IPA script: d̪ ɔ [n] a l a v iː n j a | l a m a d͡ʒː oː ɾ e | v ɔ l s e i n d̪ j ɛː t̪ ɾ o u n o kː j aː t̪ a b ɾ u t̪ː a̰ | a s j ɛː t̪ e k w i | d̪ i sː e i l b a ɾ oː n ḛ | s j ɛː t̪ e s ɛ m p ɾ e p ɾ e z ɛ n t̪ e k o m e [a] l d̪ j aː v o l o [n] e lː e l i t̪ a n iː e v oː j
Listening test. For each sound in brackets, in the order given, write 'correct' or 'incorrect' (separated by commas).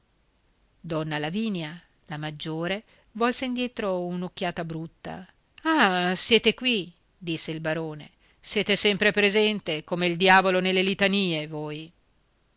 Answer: incorrect, incorrect, correct